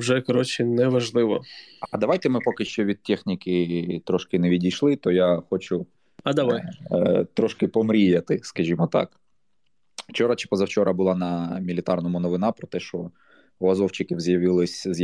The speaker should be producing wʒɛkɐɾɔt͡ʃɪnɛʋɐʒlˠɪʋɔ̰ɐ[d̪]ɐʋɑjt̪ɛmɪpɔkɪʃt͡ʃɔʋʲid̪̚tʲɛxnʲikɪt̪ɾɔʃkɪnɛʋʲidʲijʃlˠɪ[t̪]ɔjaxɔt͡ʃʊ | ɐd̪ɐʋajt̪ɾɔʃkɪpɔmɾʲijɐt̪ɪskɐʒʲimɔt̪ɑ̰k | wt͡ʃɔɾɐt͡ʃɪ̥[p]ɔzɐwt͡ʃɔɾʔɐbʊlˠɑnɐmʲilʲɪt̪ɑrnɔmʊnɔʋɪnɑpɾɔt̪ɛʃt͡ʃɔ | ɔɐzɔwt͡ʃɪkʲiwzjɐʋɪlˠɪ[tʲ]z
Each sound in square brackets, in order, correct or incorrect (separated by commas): correct, correct, correct, incorrect